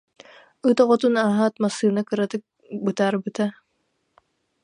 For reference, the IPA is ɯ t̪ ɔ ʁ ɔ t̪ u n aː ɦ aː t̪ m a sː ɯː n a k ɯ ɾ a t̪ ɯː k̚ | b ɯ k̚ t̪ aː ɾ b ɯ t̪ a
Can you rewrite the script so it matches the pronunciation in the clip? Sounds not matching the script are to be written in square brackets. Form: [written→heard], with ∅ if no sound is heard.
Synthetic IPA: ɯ t̪ ɔ ʁ ɔ t̪ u n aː ɦ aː t̪ m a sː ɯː n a k ɯ ɾ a t̪ [ɯː→ɯ] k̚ | b ɯ [k̚→∅] t̪ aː ɾ b ɯ t̪ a